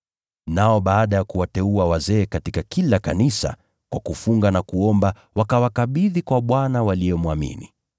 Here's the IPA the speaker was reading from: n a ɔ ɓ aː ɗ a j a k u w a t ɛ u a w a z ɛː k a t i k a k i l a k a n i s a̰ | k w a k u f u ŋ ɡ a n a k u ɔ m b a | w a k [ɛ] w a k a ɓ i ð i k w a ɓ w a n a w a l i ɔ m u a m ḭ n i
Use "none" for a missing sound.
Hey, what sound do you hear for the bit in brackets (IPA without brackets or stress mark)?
a